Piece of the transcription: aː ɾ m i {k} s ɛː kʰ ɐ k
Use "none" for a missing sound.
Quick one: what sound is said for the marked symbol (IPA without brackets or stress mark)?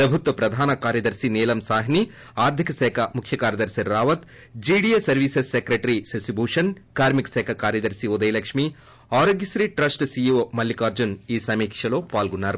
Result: k